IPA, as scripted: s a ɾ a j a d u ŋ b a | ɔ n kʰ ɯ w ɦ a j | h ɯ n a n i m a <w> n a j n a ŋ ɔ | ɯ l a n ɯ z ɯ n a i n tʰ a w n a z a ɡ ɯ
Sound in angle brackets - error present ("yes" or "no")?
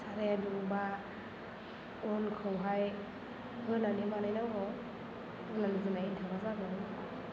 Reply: yes